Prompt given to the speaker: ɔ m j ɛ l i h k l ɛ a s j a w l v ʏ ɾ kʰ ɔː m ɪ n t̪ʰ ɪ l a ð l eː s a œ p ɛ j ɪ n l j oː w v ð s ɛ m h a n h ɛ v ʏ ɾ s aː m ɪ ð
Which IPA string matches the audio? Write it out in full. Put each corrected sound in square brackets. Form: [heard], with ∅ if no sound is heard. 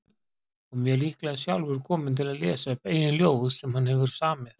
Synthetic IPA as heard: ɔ m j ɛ l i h k l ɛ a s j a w l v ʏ ɾ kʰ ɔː m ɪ n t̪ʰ ɪ l a ð l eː s a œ p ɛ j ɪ n l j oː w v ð s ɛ m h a n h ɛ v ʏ ɾ s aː m ɪ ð